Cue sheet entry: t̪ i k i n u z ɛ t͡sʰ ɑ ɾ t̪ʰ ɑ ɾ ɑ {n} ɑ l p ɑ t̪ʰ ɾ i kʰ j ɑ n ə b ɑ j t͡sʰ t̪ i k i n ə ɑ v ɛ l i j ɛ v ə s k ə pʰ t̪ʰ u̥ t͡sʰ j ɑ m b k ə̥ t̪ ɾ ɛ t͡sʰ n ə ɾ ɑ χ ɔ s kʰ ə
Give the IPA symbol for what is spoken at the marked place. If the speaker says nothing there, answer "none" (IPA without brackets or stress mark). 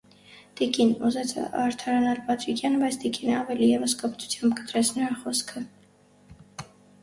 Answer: n